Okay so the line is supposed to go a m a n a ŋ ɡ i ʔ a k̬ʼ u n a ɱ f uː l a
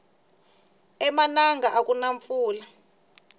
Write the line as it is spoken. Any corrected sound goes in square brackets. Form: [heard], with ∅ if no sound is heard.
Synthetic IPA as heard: [ɛ] m a n a ŋ ɡ [a] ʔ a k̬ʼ u n a ɱ f uː l a